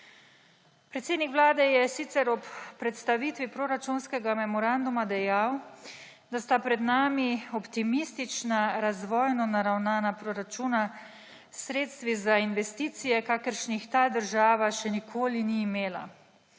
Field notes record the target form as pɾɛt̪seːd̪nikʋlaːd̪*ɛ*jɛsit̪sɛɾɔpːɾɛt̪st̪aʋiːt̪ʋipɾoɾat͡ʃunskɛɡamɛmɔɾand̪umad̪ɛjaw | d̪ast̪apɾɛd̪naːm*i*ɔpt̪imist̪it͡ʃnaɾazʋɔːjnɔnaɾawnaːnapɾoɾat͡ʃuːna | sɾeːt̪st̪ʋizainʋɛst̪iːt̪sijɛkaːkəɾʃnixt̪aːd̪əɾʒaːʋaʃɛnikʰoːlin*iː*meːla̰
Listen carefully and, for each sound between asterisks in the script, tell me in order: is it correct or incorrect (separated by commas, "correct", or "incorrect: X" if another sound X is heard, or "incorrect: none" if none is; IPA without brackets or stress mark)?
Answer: correct, correct, correct